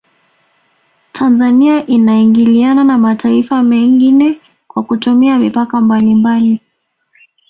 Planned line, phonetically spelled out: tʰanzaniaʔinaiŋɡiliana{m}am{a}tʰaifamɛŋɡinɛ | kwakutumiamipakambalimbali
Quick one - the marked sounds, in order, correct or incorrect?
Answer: incorrect, correct

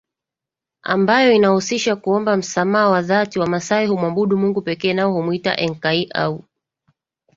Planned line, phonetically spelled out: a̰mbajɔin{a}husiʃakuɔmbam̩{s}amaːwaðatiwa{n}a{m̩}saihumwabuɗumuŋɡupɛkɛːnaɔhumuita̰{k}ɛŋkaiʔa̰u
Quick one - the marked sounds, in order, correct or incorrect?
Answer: correct, correct, incorrect, incorrect, incorrect

